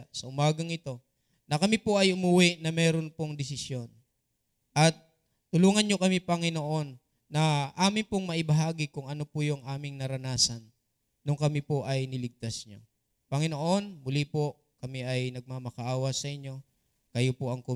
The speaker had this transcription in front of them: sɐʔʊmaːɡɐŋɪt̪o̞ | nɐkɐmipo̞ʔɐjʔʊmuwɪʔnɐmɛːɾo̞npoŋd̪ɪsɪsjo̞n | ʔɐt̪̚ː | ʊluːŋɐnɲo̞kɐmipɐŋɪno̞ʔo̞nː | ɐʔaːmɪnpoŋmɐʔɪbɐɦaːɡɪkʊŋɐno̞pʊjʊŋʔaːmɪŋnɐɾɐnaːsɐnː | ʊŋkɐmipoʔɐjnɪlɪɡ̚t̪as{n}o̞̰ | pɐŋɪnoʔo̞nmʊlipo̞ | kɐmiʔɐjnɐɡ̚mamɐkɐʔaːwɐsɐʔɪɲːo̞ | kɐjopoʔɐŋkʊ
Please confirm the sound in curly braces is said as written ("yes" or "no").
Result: no